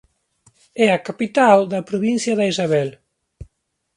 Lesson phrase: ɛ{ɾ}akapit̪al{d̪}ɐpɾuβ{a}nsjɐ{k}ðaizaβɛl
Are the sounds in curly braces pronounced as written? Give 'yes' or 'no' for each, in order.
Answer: no, yes, no, no

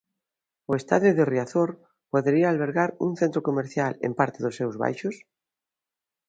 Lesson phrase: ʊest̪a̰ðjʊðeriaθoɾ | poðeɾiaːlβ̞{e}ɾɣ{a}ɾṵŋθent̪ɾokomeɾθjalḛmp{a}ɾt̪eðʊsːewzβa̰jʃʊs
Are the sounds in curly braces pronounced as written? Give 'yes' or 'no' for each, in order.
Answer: yes, yes, yes

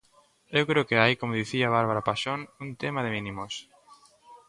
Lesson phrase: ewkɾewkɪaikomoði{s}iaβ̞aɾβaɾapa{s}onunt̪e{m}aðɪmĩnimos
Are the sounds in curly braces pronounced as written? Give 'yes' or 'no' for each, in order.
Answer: no, no, yes

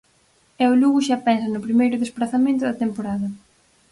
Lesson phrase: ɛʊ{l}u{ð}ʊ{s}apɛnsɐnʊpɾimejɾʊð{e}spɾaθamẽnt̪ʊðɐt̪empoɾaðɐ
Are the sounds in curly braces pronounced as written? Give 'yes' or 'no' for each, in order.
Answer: yes, no, no, yes

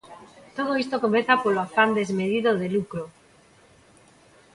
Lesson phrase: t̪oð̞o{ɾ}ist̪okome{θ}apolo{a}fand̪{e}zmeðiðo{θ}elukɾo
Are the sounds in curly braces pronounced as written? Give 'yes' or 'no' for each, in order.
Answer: no, yes, yes, yes, no

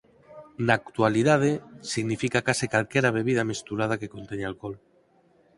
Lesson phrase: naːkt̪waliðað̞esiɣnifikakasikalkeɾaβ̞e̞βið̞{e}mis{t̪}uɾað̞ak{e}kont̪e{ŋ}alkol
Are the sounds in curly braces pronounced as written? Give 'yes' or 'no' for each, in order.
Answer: no, yes, yes, no

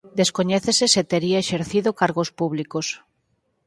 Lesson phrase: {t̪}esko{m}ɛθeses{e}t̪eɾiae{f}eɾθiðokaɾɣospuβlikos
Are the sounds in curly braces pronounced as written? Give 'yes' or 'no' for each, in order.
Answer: no, no, yes, no

